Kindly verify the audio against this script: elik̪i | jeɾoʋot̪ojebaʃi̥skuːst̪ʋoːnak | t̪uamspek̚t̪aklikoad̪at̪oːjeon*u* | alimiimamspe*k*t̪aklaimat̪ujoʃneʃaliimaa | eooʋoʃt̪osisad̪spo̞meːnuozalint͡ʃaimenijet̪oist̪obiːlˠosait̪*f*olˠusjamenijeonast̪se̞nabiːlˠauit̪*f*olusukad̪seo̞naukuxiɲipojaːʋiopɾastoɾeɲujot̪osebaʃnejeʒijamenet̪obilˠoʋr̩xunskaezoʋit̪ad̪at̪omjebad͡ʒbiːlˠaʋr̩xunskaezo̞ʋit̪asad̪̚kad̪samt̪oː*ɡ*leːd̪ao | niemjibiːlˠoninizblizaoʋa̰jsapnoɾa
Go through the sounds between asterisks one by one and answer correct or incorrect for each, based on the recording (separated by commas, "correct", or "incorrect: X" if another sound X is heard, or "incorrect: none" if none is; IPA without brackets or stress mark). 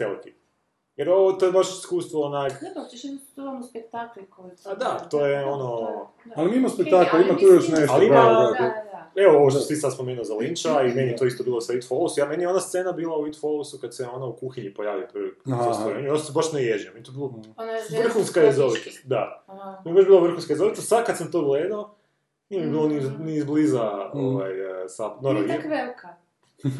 incorrect: o, correct, correct, correct, correct